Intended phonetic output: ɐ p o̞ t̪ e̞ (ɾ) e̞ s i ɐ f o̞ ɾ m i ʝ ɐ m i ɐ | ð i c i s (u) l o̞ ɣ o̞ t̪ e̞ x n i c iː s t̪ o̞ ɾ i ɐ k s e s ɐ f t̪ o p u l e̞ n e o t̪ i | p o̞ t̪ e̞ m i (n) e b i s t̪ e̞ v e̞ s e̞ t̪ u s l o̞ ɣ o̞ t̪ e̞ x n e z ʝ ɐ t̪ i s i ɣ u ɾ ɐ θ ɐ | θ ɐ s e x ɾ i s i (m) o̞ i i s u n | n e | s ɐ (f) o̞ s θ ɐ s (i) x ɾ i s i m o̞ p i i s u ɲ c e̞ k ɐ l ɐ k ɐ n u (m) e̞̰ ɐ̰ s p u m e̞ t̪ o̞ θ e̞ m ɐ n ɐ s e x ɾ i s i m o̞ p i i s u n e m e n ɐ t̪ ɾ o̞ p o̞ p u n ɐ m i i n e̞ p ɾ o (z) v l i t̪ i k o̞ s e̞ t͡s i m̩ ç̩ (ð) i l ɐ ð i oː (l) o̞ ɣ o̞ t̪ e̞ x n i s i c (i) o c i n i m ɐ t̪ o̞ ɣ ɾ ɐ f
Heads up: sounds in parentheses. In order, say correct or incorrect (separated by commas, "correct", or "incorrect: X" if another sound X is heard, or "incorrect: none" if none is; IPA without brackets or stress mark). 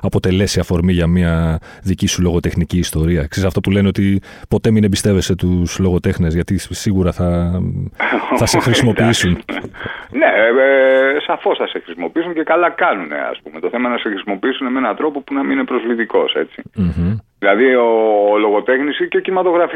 incorrect: l, correct, correct, correct, correct, incorrect: e, incorrect: n, correct, correct, correct, incorrect: e